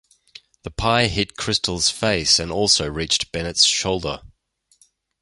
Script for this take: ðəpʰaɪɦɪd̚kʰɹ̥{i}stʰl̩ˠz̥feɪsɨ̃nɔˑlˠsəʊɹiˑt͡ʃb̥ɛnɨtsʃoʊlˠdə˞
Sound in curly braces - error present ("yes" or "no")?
yes